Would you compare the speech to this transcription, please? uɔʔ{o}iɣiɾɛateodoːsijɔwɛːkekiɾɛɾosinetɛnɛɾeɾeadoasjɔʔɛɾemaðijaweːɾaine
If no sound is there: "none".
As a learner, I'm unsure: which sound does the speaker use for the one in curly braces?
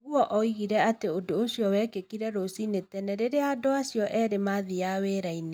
ɔ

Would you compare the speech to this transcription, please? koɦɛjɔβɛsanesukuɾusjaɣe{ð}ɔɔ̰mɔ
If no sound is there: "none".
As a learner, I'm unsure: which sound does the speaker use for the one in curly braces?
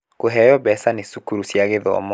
ð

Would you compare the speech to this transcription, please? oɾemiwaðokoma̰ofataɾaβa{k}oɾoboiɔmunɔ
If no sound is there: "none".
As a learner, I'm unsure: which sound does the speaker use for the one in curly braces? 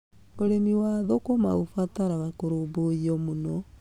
k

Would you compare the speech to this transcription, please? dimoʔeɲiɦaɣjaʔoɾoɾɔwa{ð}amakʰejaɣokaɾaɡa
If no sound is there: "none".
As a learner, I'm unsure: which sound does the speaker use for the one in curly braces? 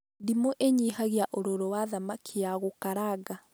ð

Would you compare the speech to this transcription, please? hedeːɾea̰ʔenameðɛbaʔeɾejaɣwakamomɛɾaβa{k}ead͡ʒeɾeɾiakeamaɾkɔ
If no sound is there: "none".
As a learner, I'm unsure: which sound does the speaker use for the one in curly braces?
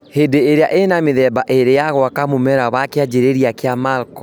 k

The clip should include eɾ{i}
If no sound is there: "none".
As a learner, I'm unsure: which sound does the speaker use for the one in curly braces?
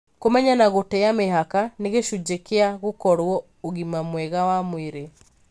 e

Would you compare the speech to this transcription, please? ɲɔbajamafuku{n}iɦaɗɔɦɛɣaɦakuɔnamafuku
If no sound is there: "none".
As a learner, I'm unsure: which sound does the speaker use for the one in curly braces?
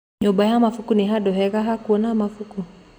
n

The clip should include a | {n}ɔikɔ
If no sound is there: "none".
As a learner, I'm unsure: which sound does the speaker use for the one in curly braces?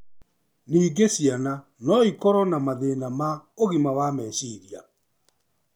n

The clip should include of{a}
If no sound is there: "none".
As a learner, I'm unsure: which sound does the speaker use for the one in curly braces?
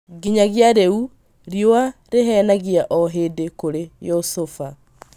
a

